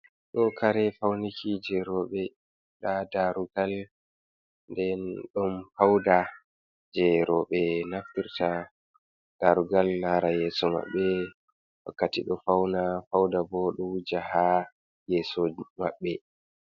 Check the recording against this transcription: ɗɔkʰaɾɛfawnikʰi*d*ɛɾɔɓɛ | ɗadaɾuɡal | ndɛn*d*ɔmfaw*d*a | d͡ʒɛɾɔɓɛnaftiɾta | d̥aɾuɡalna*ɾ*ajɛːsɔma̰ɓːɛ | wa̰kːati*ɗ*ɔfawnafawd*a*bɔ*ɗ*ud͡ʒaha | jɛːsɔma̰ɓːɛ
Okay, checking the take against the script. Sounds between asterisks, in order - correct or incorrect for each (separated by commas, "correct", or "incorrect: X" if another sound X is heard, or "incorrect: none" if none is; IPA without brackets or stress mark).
incorrect: d͡ʒ, incorrect: ɗ, correct, correct, correct, correct, correct